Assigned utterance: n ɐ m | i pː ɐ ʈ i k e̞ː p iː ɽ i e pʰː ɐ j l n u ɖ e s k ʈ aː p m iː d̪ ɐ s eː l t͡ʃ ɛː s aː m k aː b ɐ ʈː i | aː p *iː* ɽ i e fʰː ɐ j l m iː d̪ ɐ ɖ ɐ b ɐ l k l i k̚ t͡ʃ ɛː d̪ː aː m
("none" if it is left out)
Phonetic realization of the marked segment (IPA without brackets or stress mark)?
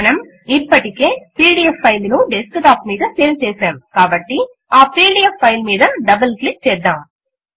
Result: iː